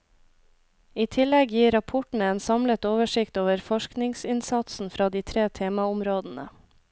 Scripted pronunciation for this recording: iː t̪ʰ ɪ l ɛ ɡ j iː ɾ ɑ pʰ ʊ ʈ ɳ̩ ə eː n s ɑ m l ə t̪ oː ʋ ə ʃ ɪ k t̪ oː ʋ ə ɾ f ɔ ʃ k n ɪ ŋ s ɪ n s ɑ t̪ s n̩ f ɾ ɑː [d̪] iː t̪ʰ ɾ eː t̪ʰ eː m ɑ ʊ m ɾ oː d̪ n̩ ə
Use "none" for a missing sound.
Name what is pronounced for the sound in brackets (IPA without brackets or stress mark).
d̪